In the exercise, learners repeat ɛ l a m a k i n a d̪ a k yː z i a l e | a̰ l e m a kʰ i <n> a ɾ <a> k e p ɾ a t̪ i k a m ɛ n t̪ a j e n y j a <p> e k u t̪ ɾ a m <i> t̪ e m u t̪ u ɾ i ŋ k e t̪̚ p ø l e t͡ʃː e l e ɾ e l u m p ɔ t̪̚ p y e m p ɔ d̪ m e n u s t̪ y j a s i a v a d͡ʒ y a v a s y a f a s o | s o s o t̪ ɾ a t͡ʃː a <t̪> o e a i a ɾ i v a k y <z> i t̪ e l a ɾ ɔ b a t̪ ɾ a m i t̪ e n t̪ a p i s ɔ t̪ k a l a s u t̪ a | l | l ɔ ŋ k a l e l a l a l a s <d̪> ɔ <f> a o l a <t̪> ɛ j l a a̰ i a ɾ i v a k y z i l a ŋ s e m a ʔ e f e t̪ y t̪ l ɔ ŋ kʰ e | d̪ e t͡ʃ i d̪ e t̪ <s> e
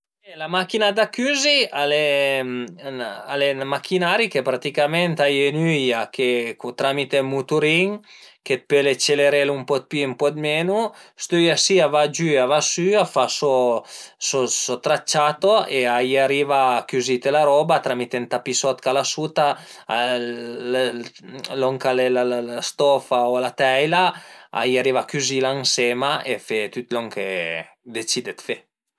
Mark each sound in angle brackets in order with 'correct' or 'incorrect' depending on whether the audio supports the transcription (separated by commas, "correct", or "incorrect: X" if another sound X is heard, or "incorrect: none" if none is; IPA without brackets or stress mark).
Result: correct, incorrect: i, incorrect: k, correct, correct, correct, incorrect: t̪, correct, correct, incorrect: f